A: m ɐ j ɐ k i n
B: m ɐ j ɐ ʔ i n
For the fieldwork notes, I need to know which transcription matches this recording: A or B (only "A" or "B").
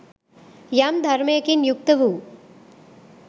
A